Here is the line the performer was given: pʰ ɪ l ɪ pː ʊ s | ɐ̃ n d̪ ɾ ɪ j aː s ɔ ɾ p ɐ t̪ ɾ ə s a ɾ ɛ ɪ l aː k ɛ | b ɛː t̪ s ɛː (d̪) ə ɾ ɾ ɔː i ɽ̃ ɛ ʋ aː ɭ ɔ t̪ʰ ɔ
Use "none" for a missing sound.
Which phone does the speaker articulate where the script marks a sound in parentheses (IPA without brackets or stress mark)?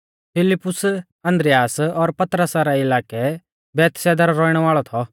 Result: d̪